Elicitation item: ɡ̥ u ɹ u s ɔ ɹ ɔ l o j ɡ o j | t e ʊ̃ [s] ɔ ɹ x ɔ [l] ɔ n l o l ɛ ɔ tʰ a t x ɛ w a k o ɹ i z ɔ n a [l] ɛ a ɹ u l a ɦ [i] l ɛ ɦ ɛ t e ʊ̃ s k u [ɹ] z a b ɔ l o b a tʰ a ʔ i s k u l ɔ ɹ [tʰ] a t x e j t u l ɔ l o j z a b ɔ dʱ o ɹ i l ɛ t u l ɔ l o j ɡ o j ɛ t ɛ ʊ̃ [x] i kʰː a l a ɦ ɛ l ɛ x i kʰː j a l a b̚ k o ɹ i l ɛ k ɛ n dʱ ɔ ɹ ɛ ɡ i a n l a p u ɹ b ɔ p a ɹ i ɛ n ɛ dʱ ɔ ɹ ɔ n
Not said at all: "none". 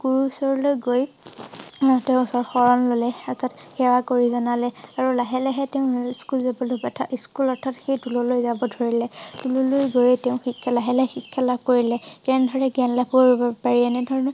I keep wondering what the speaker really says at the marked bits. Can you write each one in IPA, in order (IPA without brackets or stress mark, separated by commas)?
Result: s, ɹ, l, ɛ, l, tʰ, x